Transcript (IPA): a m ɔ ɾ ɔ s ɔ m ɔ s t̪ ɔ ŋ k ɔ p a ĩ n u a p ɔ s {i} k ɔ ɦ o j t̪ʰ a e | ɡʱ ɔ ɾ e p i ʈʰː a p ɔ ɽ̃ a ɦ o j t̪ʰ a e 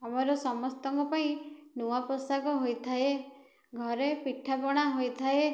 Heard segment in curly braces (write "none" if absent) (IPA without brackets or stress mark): a